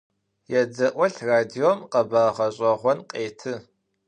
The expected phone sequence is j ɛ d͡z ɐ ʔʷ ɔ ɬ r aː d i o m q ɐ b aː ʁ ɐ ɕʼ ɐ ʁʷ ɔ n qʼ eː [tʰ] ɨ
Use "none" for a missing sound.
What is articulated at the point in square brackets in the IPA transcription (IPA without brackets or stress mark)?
tʰ